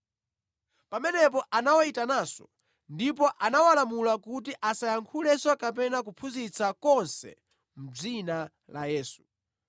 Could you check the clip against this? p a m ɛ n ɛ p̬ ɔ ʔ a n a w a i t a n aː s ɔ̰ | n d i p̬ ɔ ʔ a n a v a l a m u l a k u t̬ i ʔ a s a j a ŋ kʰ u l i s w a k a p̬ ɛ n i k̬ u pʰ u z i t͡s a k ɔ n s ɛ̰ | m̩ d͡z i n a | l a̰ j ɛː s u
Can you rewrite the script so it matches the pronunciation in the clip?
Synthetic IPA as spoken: p a m ɛ n ɛ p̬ ɔ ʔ a n a w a i t a n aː s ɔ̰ | n d i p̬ ɔ ʔ a n a w a l a m u l a k u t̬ i ʔ a s a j a ŋ kʰ u l ɛ s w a k a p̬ ɛ n a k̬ u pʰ u z i t͡s a k ɔ n s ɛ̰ | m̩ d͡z i n a | l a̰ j ɛː s u